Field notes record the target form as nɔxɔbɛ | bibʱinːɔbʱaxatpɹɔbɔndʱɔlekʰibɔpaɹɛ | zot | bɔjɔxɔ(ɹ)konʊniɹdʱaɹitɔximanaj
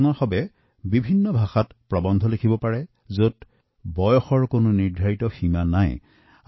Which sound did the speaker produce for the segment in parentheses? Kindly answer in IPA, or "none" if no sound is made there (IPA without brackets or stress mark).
ɹ